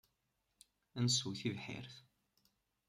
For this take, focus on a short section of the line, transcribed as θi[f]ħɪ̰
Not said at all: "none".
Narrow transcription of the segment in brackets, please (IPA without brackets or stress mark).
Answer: v